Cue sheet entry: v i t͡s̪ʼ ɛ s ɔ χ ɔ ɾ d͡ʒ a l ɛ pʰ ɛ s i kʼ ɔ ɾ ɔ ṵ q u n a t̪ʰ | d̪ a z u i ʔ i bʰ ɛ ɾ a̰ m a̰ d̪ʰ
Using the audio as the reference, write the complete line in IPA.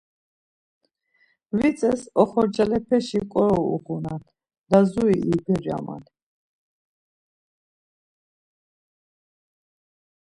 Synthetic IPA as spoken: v i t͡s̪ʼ ɛ s ɔ χ ɔ ɾ d͡ʒ a l ɛ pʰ ɛ ʃ i kʼ ɔ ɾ ɔ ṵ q u n a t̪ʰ | d̪ a z u i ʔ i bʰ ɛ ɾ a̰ m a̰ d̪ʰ